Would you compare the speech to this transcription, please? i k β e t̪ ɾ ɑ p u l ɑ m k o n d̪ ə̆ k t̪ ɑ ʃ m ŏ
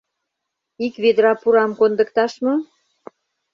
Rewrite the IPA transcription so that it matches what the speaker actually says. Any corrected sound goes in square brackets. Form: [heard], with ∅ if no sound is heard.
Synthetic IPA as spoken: i k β e [d̪] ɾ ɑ p u [ɾ] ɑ m k o n d̪ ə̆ k t̪ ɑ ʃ m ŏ